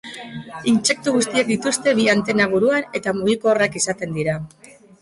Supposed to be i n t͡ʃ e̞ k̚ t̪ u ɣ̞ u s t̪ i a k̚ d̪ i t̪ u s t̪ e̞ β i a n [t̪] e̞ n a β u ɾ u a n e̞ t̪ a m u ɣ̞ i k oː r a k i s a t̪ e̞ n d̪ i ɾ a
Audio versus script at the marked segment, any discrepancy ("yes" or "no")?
no